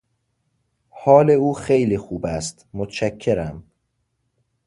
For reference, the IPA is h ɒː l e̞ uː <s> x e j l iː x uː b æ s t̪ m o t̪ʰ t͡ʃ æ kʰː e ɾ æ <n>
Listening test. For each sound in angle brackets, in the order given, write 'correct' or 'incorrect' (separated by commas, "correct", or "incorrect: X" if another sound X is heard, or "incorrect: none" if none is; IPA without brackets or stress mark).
incorrect: none, incorrect: m